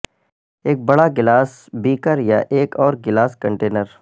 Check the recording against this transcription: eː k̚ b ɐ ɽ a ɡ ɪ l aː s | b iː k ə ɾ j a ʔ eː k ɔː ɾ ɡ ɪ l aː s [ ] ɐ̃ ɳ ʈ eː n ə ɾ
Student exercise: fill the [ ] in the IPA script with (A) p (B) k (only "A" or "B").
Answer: B